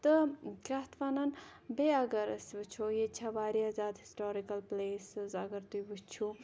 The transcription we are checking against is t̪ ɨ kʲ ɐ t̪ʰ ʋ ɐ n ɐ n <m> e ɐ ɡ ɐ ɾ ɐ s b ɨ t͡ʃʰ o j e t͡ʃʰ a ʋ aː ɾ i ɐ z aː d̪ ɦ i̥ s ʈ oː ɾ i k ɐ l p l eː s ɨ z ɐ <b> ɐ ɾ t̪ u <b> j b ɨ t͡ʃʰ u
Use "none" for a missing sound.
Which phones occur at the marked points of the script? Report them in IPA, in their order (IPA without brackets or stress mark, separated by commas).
b, ɡ, none